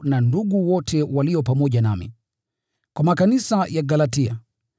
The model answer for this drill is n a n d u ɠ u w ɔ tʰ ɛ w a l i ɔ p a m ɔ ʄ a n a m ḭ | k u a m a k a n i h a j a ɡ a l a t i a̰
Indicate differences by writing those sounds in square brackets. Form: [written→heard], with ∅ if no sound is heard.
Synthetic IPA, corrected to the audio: n a n d u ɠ u w ɔ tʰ ɛ w a l i ɔ p a m ɔ ʄ a n a m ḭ | k [u→w] a m a k a n i [h→s] a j a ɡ a l a t i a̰